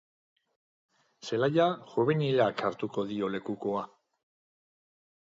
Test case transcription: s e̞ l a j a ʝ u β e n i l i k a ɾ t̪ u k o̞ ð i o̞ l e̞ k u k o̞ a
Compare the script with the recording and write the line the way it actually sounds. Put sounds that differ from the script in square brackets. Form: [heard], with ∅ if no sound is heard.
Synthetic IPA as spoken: s e̞ l a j a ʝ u β e n i l [a] k a ɾ t̪ u k o̞ ð i o̞ l e̞ k u k o̞ a